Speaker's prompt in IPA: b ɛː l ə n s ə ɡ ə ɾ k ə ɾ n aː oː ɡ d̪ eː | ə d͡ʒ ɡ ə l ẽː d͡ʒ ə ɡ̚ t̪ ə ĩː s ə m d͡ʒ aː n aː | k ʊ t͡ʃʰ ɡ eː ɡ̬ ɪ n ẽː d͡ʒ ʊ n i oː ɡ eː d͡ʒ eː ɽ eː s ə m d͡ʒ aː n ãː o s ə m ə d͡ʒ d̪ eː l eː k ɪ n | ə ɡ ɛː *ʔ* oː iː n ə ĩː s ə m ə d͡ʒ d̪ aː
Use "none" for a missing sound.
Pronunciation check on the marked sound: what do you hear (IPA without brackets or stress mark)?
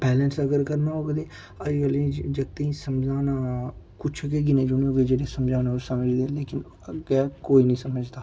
k